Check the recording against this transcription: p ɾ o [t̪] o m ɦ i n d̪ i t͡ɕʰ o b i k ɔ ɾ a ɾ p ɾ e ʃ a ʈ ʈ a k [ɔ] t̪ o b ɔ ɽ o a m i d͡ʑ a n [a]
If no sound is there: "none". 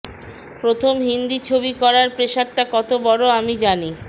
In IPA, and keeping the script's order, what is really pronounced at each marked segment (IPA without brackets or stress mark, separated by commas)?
t̪ʰ, ɔ, i